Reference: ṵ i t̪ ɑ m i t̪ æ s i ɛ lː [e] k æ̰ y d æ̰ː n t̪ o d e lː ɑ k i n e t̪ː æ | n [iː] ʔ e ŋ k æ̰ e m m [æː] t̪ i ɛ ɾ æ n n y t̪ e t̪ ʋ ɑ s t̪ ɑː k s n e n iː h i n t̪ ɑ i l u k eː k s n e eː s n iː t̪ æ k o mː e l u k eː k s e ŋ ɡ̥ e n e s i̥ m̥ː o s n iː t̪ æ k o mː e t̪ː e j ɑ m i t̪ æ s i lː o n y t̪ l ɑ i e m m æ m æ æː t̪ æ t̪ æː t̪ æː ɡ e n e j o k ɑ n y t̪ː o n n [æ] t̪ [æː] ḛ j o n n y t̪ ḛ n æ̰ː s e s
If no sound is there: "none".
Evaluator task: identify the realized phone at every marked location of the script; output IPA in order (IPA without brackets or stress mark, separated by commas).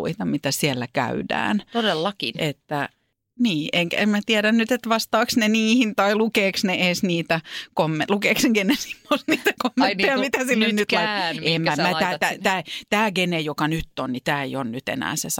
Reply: æ, iː, æ, i, æː